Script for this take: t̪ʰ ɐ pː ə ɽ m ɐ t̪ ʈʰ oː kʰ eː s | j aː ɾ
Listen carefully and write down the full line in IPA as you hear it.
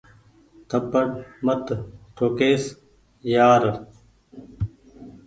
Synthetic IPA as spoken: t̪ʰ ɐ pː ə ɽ m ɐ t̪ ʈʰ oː k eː s | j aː ɾ